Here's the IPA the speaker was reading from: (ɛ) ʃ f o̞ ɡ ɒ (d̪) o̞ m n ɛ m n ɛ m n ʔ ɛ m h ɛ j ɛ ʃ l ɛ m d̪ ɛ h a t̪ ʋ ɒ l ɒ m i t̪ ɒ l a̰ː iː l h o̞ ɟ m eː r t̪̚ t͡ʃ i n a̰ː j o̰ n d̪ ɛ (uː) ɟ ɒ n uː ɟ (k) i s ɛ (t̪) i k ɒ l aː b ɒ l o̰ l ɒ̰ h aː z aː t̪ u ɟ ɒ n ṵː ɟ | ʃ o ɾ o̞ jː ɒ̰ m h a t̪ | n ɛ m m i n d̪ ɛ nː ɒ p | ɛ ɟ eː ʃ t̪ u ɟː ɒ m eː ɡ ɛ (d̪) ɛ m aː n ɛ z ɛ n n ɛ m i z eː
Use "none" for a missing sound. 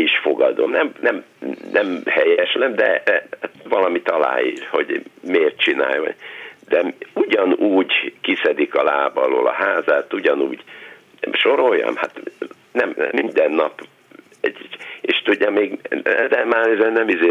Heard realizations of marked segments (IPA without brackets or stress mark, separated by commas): i, d̪, u, k, d̪, d̪